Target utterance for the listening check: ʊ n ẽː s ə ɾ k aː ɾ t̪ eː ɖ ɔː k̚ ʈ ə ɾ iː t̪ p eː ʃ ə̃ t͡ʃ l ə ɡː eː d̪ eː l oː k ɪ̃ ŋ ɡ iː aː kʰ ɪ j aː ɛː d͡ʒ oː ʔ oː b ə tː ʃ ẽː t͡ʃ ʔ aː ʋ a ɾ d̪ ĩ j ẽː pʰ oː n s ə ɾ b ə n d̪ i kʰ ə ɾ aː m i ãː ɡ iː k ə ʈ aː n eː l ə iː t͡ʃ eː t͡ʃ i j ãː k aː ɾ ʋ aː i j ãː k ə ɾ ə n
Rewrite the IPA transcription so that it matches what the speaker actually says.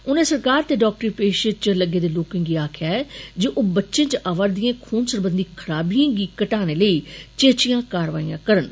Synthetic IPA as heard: ʊ n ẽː s ə ɾ k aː ɾ t̪ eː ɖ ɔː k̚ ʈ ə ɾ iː p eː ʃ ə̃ t͡ʃ l ə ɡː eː d̪ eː l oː k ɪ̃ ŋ ɡ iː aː kʰ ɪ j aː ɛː d͡ʒ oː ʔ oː b ə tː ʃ ẽː t͡ʃ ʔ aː ʋ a ɾ d̪ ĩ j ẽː kʰ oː n s ə ɾ b ə n d̪ i kʰ ə ɾ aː b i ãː ɡ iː k ə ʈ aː n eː l ə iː t͡ʃ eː t͡ʃ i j ãː k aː ɾ ʋ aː i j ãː k ə ɾ ə n